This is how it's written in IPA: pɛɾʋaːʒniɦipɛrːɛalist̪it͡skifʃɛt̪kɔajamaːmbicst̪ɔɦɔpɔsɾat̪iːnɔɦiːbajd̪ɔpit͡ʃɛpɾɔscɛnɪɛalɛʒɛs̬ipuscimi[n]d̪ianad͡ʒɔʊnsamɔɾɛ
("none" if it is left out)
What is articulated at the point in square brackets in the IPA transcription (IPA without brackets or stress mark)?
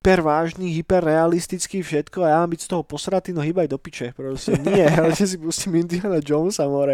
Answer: n